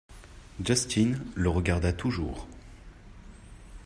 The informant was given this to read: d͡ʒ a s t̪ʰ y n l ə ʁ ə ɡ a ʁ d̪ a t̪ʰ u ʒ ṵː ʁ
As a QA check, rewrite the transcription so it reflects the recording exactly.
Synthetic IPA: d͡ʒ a s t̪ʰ i n l ə ʁ ə ɡ a ʁ d̪ a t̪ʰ u ʒ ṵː ʁ